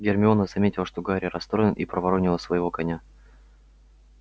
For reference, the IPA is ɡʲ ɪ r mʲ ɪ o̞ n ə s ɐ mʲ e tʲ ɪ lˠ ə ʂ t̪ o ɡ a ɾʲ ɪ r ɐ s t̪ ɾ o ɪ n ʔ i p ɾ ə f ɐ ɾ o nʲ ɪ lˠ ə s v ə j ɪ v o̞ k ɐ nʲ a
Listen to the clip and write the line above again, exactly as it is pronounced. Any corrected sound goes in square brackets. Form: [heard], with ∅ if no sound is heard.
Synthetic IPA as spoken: ɡʲ ɪ r mʲ ɪ o̞ n ə [z] ɐ mʲ e tʲ ɪ lˠ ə ʂ t̪ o ɡ a ɾʲ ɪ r ɐ s t̪ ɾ o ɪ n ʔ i p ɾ ə [v] ɐ ɾ o nʲ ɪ lˠ ə s v ə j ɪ v o̞ k ɐ nʲ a